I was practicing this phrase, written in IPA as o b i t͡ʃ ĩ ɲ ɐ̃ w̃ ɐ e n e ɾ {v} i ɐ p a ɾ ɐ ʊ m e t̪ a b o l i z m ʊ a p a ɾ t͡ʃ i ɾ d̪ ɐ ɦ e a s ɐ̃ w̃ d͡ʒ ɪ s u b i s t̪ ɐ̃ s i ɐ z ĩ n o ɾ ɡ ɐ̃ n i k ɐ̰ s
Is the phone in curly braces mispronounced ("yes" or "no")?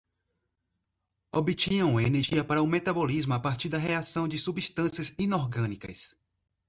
yes